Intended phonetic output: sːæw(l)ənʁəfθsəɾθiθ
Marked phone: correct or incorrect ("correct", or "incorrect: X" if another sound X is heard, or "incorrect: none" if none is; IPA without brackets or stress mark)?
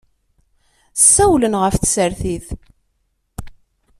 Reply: correct